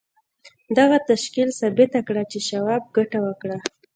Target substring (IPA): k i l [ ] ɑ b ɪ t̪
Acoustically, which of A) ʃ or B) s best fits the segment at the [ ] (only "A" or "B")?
B